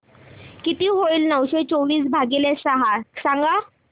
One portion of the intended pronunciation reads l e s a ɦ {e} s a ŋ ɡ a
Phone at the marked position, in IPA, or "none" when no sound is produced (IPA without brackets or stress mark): a